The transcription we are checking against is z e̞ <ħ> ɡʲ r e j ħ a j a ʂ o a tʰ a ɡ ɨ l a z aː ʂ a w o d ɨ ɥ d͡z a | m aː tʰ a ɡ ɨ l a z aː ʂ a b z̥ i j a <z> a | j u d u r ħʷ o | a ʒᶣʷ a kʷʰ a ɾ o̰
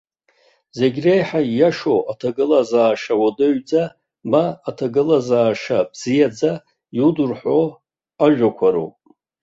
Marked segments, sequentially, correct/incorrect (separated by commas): incorrect, incorrect